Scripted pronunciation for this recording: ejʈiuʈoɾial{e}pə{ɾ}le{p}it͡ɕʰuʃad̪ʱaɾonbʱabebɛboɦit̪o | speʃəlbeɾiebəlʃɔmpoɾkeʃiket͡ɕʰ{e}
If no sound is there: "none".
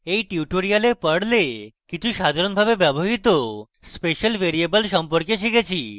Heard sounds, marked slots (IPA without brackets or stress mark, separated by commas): e, ɽ, k, i